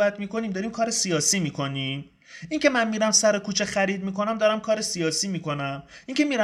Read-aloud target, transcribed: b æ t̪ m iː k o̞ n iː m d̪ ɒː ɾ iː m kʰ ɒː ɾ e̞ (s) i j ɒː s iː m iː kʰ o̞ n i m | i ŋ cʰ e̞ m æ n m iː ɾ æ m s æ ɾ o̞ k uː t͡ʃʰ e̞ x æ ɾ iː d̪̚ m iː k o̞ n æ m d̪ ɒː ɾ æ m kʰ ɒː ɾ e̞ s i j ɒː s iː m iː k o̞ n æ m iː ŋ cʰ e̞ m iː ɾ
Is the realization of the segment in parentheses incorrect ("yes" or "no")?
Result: no